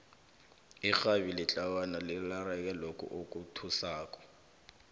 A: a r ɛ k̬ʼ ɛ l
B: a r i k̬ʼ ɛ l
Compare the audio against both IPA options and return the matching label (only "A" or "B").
A